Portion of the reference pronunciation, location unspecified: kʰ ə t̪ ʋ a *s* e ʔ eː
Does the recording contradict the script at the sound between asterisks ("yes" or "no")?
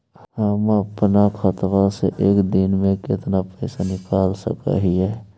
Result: no